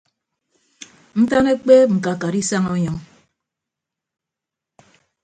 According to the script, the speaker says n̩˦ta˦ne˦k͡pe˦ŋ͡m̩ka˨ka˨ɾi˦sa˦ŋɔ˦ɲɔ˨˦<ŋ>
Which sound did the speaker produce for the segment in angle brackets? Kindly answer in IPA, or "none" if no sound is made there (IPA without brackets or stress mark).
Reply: ŋ